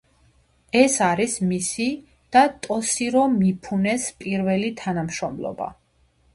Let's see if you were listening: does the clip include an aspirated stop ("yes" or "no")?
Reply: yes